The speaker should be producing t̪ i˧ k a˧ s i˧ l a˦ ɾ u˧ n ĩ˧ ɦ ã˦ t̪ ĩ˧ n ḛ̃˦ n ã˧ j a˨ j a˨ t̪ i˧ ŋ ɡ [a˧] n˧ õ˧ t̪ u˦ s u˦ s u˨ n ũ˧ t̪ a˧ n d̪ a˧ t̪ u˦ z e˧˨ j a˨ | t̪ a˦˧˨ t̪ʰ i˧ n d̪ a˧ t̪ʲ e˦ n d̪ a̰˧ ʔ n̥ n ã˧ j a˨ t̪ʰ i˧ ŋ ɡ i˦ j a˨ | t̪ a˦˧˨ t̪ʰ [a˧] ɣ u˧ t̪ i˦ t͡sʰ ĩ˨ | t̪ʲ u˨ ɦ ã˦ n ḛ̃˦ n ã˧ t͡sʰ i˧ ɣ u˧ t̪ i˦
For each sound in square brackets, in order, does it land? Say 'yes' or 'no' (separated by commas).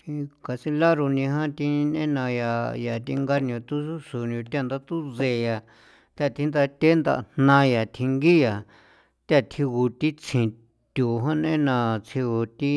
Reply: yes, no